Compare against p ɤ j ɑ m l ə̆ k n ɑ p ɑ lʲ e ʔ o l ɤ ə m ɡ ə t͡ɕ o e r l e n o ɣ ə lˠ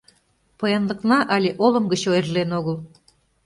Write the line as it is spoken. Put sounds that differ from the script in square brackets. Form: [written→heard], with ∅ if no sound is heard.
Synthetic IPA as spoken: p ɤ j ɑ [m→n] l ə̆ k n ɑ [p→ʔ] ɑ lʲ e ʔ o l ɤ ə m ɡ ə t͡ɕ o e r l e n o ɣ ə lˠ